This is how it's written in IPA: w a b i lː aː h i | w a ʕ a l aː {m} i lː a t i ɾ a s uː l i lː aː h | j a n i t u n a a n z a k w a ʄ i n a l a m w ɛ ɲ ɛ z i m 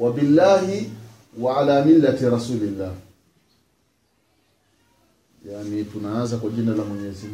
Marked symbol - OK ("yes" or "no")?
yes